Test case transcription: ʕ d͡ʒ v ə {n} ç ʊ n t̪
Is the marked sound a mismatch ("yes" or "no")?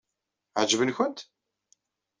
no